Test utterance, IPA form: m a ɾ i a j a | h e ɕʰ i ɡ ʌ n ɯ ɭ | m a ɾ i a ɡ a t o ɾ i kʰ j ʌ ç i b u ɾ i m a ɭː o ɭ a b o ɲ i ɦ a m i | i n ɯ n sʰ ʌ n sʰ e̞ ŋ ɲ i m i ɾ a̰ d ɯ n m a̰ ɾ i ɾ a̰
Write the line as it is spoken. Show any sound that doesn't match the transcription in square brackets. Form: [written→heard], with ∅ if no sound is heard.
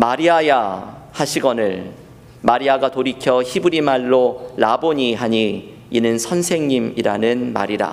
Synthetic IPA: m a ɾ i a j a | h [e→a] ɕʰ i ɡ ʌ n ɯ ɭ | m a ɾ i a ɡ a t o ɾ i kʰ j ʌ ç i b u ɾ i m a ɭː o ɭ a b o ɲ i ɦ a [m→ɲ] i | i n ɯ n sʰ ʌ n sʰ e̞ ŋ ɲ i m i ɾ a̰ [d→n] ɯ n m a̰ ɾ i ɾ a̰